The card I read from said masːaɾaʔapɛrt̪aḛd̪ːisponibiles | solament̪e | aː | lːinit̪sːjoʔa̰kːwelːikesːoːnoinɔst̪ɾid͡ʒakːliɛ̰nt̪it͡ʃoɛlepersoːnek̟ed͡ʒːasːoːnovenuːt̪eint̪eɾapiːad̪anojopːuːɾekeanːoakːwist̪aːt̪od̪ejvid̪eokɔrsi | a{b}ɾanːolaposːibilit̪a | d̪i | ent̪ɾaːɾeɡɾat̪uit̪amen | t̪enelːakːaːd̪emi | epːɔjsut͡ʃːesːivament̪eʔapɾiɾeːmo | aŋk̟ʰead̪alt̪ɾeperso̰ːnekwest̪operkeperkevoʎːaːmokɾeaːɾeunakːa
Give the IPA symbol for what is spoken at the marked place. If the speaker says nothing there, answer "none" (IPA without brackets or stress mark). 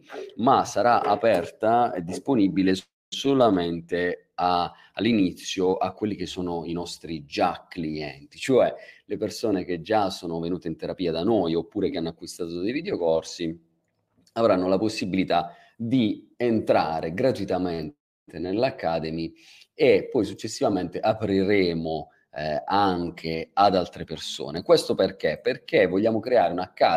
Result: v